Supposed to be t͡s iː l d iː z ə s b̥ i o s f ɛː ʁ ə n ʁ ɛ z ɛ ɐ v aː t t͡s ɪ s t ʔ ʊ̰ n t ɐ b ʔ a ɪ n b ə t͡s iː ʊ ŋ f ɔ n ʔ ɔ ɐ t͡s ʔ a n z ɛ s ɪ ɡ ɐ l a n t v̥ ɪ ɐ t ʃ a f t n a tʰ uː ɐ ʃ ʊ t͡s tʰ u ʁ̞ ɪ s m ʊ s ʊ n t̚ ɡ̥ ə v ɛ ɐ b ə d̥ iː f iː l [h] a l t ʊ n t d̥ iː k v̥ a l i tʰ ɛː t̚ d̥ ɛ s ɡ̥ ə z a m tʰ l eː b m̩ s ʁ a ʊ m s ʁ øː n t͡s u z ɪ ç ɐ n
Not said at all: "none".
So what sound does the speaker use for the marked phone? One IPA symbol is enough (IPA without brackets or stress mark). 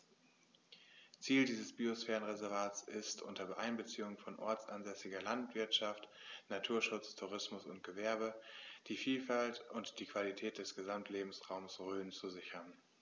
f